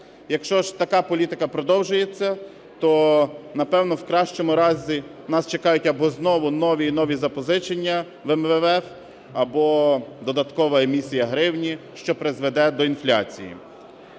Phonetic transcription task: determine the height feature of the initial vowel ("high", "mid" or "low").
low